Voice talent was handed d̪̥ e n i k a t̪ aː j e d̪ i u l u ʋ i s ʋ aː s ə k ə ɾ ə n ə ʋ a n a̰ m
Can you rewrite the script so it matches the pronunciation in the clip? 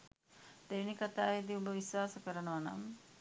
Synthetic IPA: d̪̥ e n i k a t̪ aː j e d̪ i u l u ʋ i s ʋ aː s ə k ə ɾ ə n ə ʋ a n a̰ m